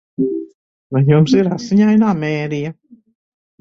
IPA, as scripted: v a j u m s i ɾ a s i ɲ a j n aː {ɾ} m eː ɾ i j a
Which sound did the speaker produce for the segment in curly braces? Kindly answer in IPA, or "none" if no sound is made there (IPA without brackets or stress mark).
none